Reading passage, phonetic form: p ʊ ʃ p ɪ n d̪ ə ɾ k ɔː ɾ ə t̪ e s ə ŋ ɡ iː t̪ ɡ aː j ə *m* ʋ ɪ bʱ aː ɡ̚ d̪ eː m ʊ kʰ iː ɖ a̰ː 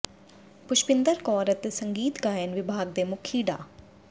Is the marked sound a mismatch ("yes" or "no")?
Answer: yes